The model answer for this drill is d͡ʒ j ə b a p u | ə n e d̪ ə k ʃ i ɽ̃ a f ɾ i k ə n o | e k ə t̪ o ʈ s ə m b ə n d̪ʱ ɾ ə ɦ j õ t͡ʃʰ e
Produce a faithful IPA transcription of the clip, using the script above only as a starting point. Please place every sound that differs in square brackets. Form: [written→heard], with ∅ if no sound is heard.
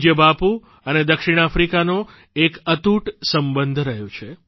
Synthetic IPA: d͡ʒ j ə b a p u | ə n e d̪ ə k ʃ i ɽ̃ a f ɾ i k [ə→a] n o | e k ə t̪ [o→u] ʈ s ə m b ə n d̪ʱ ɾ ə ɦ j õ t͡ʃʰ e